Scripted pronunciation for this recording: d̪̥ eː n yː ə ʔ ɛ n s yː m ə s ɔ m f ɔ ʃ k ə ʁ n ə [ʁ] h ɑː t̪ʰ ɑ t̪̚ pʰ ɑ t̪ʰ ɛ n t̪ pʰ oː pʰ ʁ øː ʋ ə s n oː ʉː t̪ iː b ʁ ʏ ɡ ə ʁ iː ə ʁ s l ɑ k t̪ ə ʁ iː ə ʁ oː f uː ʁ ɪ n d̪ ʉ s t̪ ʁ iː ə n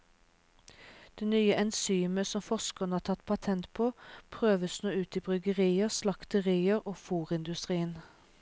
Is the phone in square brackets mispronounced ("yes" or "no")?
yes